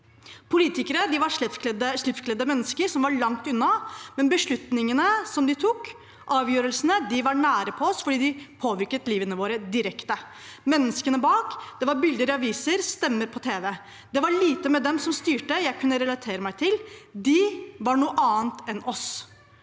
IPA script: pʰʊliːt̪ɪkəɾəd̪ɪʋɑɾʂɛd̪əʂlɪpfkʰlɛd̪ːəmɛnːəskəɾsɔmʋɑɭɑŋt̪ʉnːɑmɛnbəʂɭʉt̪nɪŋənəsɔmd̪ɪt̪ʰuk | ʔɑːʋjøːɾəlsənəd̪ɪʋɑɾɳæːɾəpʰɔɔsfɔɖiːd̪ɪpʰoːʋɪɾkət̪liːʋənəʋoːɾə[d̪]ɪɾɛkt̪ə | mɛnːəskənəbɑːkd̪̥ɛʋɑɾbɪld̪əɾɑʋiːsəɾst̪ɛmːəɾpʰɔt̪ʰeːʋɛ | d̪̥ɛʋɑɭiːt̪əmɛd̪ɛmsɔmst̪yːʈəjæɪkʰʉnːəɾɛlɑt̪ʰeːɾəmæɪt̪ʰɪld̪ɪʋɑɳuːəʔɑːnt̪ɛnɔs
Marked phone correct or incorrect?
correct